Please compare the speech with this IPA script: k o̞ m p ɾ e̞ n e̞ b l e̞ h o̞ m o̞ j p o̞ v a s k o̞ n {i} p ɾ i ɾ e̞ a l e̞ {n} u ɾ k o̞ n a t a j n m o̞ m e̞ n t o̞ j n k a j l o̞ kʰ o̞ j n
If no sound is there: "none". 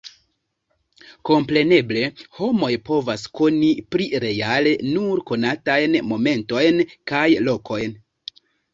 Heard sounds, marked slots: i, n

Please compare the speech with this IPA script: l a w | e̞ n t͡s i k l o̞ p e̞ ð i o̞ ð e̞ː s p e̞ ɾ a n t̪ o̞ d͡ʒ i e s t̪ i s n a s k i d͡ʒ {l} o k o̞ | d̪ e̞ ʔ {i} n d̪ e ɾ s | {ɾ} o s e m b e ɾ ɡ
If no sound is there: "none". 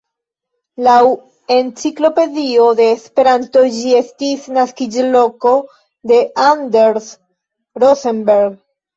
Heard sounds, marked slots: l, a, ɾ

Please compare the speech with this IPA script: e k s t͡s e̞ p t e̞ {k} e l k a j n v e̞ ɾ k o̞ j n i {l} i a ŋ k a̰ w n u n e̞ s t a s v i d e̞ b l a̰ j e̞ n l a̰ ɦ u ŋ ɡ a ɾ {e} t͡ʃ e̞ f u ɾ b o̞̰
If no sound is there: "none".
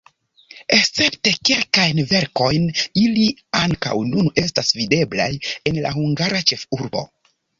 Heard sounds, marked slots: k, l, a

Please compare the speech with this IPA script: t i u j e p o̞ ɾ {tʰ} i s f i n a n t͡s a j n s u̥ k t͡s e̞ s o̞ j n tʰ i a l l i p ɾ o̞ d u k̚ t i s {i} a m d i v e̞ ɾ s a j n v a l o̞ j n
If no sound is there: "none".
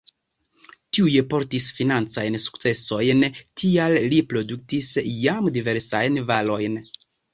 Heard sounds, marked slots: t, j

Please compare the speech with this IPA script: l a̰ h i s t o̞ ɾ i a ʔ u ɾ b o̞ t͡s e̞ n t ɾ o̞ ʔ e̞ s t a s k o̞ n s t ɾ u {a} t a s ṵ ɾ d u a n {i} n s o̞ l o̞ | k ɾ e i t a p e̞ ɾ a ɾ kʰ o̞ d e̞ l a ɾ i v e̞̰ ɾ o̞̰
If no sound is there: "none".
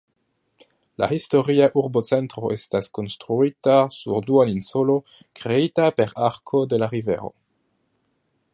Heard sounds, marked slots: i, i

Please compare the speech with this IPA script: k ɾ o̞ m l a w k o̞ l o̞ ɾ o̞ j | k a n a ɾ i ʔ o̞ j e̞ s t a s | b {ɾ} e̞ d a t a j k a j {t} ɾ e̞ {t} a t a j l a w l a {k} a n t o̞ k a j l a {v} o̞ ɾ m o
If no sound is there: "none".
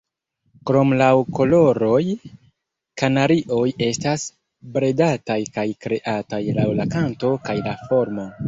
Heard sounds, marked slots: ɾ, k, ʔ, k, f

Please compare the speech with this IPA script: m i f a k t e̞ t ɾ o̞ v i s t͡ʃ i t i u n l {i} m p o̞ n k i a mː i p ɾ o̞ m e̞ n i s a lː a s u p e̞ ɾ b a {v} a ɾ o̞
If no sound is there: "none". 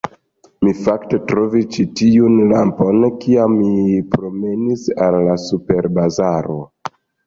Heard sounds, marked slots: a, z

